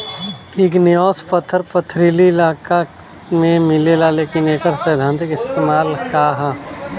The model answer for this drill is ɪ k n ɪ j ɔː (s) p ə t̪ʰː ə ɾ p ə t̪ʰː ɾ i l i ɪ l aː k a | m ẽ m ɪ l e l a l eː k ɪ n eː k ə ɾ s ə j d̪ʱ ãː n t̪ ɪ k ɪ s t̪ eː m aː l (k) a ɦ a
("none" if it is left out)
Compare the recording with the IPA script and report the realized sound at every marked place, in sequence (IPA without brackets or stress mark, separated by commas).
s, k